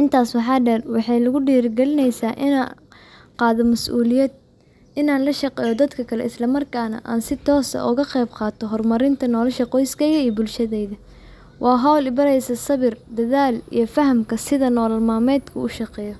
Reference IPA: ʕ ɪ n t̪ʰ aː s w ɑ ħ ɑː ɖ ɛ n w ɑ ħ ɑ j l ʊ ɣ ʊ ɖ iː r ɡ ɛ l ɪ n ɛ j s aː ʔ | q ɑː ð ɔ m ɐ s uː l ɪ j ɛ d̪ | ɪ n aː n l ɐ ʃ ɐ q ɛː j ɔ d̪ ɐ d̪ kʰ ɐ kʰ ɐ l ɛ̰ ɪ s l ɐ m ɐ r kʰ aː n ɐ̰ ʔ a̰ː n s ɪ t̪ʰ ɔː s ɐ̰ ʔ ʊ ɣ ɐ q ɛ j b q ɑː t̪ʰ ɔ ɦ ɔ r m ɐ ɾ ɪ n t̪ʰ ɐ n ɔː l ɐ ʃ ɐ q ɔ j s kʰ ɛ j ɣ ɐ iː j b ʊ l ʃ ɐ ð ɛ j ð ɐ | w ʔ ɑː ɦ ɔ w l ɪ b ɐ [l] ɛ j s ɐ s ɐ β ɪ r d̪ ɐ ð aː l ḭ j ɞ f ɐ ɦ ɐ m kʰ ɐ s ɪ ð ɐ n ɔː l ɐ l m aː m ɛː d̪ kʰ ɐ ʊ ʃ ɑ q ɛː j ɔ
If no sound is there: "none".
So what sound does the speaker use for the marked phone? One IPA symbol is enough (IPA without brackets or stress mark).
ɾ